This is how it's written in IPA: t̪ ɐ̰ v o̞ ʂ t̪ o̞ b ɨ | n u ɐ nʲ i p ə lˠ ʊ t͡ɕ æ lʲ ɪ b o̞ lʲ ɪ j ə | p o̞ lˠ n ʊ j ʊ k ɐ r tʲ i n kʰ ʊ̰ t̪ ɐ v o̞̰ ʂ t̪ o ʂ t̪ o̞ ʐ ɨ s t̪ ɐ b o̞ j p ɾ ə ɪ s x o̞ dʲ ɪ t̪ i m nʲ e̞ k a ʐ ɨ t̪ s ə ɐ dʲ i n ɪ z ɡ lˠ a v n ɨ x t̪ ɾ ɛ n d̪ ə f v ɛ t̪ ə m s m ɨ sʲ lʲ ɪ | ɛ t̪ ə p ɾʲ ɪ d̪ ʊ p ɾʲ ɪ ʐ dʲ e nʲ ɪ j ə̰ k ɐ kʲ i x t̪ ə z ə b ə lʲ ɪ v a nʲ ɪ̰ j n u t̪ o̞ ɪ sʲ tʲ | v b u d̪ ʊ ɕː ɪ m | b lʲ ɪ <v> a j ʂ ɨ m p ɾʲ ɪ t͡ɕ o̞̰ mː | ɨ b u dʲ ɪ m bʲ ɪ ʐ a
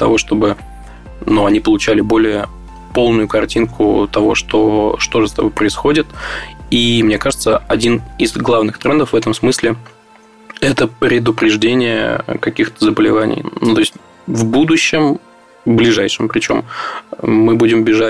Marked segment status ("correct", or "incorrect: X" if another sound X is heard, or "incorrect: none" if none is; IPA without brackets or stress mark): incorrect: ʐ